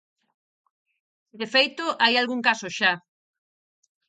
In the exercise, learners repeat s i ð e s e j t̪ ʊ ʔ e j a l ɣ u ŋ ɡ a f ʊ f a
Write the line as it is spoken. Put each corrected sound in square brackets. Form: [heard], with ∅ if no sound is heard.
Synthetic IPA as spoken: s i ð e [f] e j t̪ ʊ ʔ [a] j a l ɣ u ŋ [k] a [s] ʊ [ʃ] a